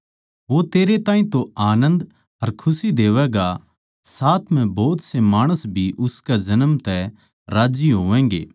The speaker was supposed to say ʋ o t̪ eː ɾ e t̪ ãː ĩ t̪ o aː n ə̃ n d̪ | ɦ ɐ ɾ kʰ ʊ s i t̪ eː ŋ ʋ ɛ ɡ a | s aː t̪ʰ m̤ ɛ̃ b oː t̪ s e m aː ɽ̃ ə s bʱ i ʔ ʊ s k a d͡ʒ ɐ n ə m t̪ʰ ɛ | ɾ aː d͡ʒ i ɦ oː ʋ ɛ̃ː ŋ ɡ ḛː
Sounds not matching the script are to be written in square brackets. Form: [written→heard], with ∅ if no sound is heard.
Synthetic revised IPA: ʋ o t̪ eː ɾ e t̪ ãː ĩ t̪ o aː n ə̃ n d̪ | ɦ ɐ ɾ kʰ ʊ s i [t̪→d̪] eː [ŋ→∅] ʋ ɛ ɡ a | s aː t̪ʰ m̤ ɛ̃ b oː t̪ s e m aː ɽ̃ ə s bʱ i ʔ ʊ s k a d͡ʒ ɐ n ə m [t̪ʰ→t̪] ɛ | ɾ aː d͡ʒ i ɦ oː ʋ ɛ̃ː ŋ ɡ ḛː